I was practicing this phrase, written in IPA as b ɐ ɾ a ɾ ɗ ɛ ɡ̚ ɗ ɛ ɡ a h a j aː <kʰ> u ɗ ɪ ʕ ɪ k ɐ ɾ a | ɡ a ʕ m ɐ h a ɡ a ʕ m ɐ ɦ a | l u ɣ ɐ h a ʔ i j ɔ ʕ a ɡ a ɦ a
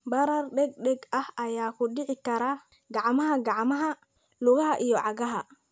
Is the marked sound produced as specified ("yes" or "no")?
no